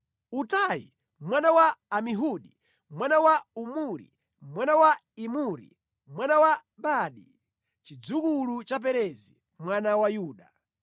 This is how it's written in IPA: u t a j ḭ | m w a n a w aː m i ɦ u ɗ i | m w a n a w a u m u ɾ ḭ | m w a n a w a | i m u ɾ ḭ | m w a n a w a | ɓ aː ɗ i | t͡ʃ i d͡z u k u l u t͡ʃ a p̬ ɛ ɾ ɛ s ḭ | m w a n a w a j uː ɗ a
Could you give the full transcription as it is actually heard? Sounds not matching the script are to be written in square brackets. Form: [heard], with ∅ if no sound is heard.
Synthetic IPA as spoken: u t a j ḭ | m w a n a w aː m i ɦ u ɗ i | m w a n a w a u m u ɾ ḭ | m w a n a w a | i m u ɾ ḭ | m w a n a w a | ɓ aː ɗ i | t͡ʃ i d͡z u k u l u t͡ʃ a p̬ ɛ ɾ ɛ [z] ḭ | m w a n a w a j uː ɗ a